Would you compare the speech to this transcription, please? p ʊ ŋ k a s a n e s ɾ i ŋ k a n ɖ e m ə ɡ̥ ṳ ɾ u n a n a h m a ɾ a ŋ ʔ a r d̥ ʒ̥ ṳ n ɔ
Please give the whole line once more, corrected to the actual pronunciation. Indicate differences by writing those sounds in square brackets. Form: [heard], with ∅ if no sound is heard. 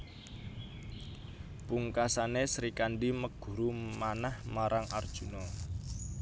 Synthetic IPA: p [u] ŋ k a s a n e s ɾ i [∅] k a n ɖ [i] m ə ɡ̥ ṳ ɾ u [m] a n a h m a ɾ a ŋ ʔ a r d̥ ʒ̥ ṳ n ɔ